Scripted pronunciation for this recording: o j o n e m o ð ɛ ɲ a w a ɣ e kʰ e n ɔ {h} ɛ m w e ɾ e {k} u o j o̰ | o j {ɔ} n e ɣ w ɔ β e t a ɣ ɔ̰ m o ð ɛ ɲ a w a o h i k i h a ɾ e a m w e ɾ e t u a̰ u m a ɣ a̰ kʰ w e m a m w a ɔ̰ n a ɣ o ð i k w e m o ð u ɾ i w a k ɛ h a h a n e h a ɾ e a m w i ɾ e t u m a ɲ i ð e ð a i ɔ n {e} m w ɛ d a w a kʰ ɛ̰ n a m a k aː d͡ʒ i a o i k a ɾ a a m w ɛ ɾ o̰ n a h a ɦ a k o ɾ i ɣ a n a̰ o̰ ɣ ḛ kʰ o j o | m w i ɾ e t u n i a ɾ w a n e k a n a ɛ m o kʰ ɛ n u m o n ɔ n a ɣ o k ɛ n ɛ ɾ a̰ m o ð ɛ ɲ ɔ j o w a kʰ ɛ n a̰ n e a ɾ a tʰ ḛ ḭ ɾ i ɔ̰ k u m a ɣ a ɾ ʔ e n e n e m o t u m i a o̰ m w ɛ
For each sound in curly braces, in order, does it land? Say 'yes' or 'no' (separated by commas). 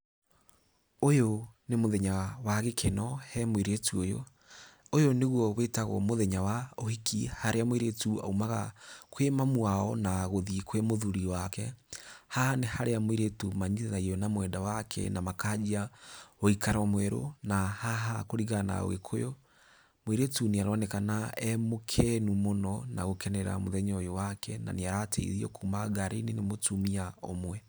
yes, no, no, no